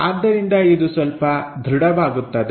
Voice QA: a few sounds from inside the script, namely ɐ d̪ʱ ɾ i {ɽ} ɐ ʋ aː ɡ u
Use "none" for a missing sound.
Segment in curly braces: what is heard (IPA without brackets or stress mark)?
ɽ